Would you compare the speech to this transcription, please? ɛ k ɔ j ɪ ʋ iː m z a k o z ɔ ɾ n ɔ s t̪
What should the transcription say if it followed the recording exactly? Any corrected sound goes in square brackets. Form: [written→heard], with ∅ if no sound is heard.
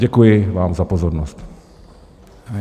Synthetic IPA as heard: ɛ k [ɔ→u] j ɪ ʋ [iː→aː] m z a [k→p] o z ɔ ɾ n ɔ s t̪